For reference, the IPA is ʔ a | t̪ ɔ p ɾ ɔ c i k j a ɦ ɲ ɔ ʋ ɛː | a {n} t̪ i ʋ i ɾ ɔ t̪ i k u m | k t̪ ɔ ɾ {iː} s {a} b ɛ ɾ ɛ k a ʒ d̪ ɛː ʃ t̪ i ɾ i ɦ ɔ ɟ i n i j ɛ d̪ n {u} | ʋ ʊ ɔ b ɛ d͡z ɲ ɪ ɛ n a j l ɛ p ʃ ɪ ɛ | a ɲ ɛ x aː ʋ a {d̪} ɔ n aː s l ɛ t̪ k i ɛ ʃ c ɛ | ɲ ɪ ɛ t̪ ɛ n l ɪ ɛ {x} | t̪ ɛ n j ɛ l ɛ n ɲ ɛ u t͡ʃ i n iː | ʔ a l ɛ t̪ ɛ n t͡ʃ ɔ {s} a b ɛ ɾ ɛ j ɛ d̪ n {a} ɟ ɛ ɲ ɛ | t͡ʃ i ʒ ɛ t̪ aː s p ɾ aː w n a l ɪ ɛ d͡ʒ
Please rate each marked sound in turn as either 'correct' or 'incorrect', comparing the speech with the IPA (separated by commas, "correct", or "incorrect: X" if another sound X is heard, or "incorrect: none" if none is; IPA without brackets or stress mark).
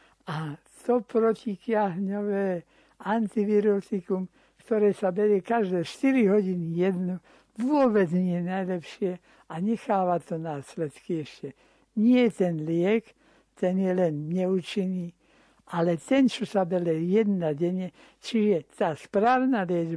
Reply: correct, incorrect: ɛː, correct, correct, incorrect: t̪, incorrect: k, correct, correct